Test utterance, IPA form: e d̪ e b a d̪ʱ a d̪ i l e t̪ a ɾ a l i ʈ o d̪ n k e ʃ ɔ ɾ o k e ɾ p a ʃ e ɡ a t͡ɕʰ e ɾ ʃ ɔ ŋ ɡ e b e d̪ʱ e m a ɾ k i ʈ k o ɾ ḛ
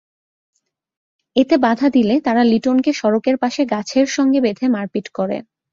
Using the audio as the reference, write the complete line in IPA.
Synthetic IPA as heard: e t̪ e b a d̪ʱ a d̪ i l e t̪ a ɾ a l i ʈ o n k e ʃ ɔ ɾ o k e ɾ p a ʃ e ɡ a t͡ɕʰ e ɾ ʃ ɔ ŋ ɡ e b e d̪ʱ e m a ɾ k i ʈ k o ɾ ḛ

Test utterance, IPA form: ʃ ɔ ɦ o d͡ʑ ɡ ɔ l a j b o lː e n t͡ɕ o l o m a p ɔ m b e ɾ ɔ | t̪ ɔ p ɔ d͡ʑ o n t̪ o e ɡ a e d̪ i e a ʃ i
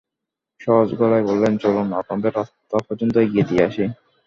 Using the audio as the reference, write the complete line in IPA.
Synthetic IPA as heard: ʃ ɔ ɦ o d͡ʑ ɡ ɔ l a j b o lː e n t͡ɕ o l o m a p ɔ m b e ɾ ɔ | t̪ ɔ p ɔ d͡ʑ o n t̪ o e ɡ i e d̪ i e a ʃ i

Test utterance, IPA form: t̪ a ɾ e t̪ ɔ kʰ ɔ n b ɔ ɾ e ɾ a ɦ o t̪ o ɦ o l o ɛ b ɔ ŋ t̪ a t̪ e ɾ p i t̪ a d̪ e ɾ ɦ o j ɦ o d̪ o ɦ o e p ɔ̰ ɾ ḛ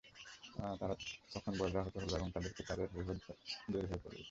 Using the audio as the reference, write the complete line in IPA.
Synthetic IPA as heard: t̪ a ɾ a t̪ ɔ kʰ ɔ n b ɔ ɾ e ɾ a ɦ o t̪ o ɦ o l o ɛ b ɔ ŋ t̪ a d̪ e ɾ k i t̪ a d̪ e ɾ ɦ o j ɦ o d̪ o ɦ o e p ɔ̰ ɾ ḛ

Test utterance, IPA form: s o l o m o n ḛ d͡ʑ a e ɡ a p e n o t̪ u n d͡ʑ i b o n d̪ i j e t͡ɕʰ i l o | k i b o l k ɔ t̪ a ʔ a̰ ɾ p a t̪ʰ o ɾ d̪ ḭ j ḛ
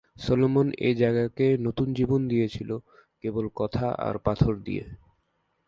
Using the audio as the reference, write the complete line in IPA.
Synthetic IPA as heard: s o l o m o n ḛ d͡ʑ a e ɡ a k e n o t̪ u n d͡ʑ i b o n d̪ i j e t͡ɕʰ i l o | k e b o l k ɔ t̪ʰ a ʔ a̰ ɾ p a t̪ʰ o ɾ d̪ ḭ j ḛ

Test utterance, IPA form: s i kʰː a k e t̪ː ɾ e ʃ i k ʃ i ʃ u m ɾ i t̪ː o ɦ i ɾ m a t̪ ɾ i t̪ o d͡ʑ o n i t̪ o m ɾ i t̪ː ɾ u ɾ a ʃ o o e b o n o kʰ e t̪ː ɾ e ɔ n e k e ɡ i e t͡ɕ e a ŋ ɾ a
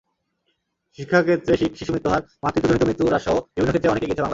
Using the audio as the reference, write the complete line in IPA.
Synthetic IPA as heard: ʃ i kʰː a k e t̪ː ɾ e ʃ i k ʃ i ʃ u m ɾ i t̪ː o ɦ a ɾ m a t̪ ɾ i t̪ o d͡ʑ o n i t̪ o m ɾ i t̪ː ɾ u ɾ a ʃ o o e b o n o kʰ e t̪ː ɾ e ɔ n e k e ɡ i e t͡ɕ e a ŋ l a

